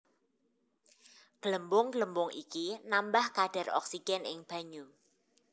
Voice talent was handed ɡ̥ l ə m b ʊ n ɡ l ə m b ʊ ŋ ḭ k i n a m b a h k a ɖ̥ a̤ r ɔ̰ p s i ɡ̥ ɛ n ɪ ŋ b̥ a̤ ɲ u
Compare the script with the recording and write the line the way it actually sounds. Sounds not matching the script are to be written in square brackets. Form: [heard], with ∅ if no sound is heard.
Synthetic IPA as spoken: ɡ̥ l ə m b ʊ [ŋ] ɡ l ə m b ʊ ŋ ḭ k i n a m b a h k a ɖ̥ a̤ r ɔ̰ [k] s i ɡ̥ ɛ n ɪ ŋ b̥ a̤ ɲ u